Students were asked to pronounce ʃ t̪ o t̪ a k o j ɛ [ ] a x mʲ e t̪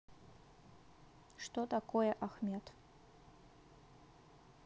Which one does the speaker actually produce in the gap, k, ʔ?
ʔ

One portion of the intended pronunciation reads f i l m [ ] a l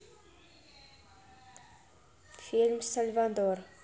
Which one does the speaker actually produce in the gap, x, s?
s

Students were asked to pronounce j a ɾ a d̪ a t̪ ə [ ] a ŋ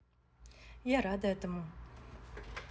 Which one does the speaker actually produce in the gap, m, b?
m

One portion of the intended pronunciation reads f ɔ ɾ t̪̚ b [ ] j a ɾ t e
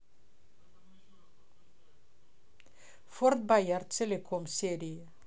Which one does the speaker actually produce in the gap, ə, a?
a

